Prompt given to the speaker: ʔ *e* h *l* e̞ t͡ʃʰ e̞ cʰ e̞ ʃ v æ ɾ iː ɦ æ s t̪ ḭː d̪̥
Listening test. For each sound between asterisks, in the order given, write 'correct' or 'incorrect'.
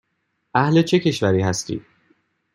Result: incorrect: æ, correct

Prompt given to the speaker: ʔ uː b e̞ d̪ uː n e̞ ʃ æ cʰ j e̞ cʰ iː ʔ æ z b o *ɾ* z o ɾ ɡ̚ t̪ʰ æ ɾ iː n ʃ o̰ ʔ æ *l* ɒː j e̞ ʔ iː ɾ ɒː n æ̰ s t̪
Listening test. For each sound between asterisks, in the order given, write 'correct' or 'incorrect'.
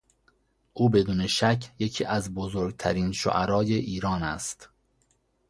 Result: incorrect: none, incorrect: ɾ

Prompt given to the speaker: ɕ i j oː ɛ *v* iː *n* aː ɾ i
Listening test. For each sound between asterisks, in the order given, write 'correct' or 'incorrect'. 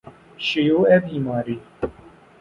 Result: incorrect: b, incorrect: m

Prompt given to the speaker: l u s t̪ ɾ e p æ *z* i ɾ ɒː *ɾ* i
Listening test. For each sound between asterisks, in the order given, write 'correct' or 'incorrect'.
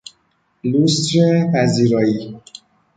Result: correct, incorrect: none

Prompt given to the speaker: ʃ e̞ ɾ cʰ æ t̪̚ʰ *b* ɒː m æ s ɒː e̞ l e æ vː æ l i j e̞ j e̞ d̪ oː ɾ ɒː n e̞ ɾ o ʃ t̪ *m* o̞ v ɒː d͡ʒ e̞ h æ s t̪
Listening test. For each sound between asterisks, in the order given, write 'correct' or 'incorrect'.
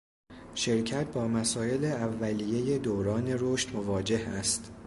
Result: correct, correct

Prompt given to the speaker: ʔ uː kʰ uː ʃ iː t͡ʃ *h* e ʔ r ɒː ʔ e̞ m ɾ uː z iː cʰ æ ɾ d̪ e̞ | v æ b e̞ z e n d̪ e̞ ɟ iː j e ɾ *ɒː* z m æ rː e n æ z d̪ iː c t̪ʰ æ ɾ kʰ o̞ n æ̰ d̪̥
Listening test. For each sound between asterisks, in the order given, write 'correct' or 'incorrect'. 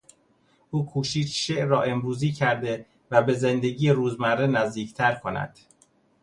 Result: incorrect: ʃ, incorrect: uː

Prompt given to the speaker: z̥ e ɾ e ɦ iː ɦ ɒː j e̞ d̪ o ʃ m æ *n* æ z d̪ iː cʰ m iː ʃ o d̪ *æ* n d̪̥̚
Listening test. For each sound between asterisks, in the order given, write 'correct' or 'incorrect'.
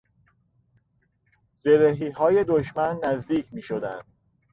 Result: incorrect: nː, correct

